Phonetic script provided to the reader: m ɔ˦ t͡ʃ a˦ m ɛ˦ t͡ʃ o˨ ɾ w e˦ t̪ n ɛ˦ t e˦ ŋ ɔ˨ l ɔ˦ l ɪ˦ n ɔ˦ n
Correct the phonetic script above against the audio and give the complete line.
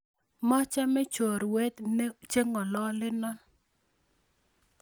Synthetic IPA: m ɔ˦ t͡ʃ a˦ m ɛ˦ t͡ʃ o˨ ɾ w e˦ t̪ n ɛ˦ t͡ʃ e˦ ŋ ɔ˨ l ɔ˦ l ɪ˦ n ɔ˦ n